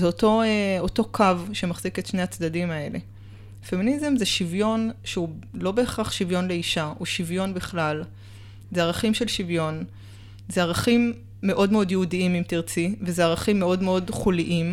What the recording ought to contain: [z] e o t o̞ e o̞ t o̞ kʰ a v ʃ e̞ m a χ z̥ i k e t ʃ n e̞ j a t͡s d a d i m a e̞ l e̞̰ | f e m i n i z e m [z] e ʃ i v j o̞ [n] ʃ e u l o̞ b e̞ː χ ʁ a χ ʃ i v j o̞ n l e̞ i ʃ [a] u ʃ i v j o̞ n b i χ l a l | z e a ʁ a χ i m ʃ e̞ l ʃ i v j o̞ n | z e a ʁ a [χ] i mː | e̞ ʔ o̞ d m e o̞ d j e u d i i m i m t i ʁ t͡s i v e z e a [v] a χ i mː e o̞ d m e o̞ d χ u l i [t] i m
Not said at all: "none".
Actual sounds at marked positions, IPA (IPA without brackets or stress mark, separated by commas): z, z, n, a, χ, ʁ, ʔ